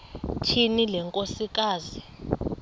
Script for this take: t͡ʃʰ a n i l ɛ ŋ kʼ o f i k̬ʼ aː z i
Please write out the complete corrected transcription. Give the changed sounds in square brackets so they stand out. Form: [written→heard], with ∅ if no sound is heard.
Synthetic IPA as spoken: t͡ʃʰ [a→i] n i l ɛ ŋ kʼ o [f→s] i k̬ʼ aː z i